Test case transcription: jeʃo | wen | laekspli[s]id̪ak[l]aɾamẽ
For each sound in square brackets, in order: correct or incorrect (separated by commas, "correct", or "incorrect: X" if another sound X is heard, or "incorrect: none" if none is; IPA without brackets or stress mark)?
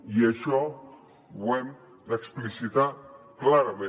correct, correct